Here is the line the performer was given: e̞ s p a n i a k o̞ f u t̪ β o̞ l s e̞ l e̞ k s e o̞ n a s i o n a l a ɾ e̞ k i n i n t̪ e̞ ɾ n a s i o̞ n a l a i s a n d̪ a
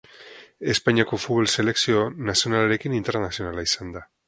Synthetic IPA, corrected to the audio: e̞ s p a ɲ i a k o̞ f u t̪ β o̞ l s e̞ l e̞ k s i o̞ n a s i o n a l a ɾ e̞ k i n i n t̪ e̞ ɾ n a s i o̞ n a l a i s a n d̪ a